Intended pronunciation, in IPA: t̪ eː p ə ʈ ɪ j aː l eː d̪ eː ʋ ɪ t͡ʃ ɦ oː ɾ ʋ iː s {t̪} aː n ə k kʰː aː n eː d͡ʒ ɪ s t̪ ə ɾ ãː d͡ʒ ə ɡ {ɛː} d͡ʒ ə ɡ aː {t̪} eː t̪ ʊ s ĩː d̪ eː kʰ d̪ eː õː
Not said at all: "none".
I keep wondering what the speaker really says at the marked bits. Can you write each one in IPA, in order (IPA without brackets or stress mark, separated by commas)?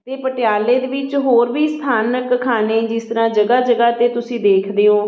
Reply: t̪ʰ, aː, t̪